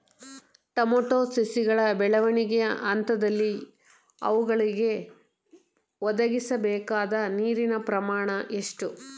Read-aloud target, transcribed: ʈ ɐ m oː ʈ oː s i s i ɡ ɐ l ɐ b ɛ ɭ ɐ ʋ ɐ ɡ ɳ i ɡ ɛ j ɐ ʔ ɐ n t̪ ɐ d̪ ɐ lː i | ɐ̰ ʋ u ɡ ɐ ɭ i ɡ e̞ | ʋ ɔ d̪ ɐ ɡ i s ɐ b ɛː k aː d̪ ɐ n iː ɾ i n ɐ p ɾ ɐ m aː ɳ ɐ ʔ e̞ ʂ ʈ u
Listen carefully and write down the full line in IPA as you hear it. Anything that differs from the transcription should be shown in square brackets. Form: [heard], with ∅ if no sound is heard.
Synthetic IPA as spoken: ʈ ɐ m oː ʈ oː s i s i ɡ ɐ [ɭ] ɐ b ɛ ɭ ɐ ʋ ɐ [∅] ɳ i ɡ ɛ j ɐ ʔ ɐ n t̪ ɐ d̪ ɐ lː i | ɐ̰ ʋ u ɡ ɐ ɭ i ɡ e̞ | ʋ ɔ d̪ ɐ ɡ i s ɐ b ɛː k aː d̪ ɐ n iː ɾ i n ɐ p ɾ ɐ m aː ɳ ɐ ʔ e̞ ʂ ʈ u